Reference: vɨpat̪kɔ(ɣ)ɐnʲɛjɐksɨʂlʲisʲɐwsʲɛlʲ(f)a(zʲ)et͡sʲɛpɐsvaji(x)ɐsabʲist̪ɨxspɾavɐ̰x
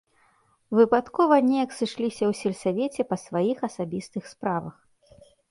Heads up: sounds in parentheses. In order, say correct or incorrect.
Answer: incorrect: v, incorrect: s, incorrect: vʲ, correct

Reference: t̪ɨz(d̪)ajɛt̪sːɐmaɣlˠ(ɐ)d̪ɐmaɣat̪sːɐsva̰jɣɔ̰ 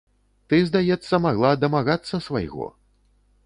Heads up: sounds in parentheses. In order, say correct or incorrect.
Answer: correct, incorrect: a

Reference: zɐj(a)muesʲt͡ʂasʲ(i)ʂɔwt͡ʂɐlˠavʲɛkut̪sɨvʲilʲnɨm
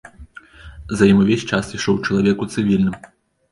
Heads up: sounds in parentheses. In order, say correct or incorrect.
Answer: incorrect: i, correct

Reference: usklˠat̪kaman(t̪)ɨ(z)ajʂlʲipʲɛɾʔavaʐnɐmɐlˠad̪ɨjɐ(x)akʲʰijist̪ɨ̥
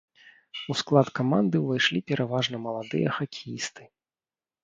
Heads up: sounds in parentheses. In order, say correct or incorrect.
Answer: incorrect: d̪, incorrect: v, correct

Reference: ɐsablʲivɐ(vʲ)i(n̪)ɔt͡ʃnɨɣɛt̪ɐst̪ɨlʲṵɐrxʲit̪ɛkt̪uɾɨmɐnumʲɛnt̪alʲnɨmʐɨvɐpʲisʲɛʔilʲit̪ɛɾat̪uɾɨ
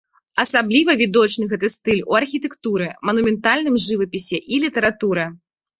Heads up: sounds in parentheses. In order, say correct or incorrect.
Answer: correct, incorrect: d̪

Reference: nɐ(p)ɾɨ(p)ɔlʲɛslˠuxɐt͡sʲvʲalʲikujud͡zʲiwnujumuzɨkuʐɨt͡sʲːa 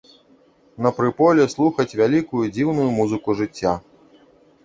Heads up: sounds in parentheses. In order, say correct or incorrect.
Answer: correct, correct

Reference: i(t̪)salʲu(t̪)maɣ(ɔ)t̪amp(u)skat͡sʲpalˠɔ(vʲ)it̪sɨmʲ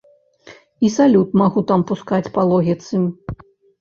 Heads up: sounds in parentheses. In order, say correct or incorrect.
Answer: incorrect: none, correct, incorrect: u, correct, incorrect: ɣʲ

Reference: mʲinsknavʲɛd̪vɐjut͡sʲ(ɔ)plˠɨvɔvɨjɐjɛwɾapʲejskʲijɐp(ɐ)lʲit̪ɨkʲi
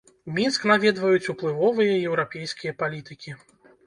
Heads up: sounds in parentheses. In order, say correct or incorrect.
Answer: incorrect: u, incorrect: a

